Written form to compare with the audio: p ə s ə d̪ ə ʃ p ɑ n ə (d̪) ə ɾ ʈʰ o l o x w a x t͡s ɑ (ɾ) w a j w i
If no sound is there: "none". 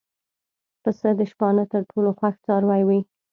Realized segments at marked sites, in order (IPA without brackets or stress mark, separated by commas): t̪, ɾ